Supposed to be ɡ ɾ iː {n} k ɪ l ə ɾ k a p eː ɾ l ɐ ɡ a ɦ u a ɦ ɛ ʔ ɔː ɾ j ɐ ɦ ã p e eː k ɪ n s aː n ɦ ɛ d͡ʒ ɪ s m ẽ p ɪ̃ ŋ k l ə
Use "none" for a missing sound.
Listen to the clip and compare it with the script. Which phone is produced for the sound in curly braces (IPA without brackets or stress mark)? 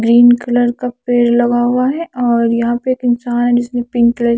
n